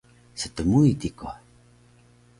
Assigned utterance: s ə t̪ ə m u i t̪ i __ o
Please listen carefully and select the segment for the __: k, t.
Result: k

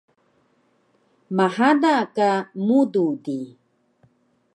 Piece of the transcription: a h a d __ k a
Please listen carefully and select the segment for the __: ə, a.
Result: a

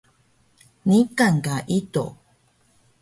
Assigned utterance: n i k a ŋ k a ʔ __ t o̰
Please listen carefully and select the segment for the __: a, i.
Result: i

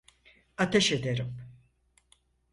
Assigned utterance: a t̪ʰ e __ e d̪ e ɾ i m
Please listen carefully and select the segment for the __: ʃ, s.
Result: ʃ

